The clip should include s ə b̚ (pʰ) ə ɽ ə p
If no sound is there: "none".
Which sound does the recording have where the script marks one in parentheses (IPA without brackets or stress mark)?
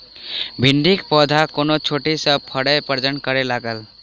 pʰ